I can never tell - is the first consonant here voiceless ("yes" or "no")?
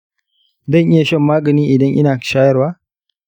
no